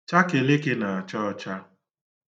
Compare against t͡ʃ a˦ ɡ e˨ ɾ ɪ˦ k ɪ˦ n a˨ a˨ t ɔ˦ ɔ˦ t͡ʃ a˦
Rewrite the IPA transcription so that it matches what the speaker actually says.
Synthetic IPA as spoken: t͡ʃ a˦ k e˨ l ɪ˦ k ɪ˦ n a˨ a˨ t͡ʃ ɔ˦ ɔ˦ t͡ʃ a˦